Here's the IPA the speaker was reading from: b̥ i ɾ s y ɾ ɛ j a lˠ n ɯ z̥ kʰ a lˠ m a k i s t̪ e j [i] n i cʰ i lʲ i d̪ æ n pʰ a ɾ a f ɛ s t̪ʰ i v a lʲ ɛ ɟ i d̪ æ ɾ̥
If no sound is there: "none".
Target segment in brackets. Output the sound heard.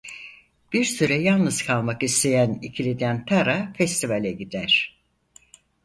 æ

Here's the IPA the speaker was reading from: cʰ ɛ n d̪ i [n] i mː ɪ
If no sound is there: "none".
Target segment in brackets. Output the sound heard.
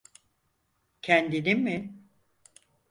n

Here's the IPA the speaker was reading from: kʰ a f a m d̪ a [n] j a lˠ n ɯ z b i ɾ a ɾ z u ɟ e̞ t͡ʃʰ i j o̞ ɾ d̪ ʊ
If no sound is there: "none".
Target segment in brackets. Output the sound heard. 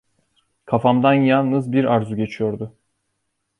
n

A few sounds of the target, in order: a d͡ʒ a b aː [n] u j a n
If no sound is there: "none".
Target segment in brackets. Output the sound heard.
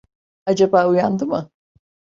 none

